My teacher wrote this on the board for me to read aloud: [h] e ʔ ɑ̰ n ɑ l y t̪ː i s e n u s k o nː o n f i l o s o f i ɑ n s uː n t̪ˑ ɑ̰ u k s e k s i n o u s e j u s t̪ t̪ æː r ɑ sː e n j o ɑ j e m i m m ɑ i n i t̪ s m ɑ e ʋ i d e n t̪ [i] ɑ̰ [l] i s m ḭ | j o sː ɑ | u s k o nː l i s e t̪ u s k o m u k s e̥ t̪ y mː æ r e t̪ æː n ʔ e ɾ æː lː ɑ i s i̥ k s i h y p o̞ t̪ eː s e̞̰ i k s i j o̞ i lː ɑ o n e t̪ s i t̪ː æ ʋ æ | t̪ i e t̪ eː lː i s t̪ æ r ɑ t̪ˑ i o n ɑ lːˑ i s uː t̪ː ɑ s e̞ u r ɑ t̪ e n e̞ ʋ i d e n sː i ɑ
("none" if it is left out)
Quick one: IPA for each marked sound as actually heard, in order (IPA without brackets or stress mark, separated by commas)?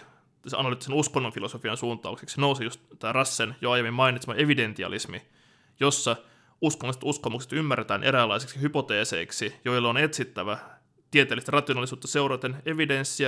s, i, l